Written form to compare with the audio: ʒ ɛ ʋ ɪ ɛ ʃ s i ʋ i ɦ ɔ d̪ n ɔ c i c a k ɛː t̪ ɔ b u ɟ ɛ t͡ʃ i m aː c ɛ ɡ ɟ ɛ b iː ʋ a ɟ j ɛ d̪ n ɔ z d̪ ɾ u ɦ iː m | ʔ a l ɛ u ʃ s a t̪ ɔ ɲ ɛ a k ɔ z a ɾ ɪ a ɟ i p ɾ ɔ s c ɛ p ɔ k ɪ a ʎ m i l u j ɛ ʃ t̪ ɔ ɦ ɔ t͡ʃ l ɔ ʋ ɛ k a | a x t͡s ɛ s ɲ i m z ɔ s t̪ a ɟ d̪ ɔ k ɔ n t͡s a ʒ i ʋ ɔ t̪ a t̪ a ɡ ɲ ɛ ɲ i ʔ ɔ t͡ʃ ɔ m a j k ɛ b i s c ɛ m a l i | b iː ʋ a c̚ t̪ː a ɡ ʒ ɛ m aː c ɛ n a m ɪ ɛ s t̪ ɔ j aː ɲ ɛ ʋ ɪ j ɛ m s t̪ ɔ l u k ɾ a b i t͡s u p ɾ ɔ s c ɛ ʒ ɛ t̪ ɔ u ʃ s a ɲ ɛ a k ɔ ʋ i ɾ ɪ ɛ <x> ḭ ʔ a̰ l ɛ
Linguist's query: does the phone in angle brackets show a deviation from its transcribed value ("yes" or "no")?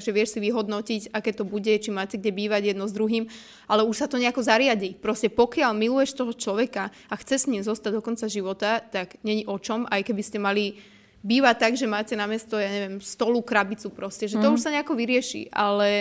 yes